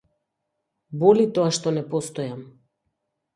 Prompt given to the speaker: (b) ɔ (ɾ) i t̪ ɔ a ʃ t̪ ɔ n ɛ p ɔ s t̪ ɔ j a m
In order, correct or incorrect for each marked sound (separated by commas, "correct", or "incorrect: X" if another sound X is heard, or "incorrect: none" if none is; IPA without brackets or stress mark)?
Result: correct, incorrect: l